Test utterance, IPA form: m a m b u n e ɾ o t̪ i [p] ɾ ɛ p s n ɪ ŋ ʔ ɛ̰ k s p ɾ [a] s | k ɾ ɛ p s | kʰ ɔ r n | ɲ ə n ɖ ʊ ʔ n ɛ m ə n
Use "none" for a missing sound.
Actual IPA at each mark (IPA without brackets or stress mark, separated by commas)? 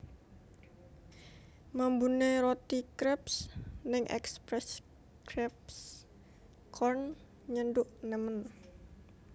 k, ɛ